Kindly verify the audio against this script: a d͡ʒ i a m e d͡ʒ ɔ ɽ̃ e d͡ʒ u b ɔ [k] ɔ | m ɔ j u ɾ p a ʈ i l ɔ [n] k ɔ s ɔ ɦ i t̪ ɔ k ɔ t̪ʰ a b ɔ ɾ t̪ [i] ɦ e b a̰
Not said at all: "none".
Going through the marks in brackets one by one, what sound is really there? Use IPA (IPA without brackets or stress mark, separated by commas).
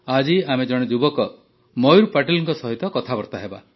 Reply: k, ŋ, a